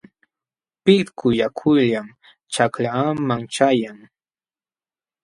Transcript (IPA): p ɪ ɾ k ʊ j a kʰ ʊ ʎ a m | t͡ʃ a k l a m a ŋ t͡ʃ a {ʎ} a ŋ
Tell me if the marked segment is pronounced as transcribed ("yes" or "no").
no